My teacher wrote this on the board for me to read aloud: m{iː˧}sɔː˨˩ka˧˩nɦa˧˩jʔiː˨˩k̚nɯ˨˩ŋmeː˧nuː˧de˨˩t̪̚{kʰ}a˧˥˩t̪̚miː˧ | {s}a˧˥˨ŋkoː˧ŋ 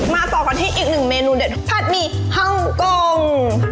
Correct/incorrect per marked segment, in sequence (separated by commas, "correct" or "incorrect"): incorrect, incorrect, incorrect